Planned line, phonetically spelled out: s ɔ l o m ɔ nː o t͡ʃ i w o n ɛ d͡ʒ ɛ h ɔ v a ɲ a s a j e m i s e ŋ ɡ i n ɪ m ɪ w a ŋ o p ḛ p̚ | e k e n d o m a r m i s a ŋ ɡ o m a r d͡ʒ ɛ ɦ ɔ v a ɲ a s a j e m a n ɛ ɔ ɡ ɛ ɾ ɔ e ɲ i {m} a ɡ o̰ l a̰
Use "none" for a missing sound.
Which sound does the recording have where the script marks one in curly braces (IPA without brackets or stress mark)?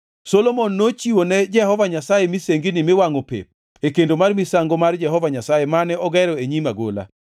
m